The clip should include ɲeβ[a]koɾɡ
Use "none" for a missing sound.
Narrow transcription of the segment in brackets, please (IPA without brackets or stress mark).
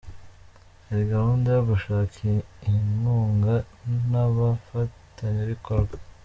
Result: i